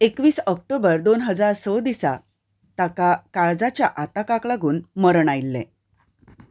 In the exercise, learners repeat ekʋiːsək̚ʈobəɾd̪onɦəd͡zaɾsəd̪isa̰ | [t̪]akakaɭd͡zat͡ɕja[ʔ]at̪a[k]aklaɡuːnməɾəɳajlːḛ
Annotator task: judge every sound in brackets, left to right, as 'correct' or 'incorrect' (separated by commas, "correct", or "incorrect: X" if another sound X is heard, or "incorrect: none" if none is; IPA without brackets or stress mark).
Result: correct, correct, correct